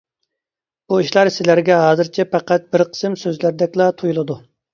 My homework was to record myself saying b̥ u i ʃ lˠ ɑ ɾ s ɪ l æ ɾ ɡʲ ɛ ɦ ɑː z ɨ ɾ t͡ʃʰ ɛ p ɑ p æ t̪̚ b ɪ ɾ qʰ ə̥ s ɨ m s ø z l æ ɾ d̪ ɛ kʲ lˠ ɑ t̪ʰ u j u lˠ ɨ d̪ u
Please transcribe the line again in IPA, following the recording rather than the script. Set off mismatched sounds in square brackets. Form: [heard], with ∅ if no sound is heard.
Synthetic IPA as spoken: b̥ u i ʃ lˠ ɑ ɾ s ɪ l æ ɾ ɡʲ ɛ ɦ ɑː z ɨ ɾ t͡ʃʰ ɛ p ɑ [q] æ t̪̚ b ɪ ɾ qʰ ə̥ s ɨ m s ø z l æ ɾ d̪ ɛ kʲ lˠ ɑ t̪ʰ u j u lˠ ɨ d̪ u